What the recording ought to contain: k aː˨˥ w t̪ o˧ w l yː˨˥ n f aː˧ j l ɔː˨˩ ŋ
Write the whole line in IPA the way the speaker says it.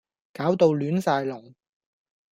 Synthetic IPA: k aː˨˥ w t̪ o˧ w l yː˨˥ n s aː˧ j l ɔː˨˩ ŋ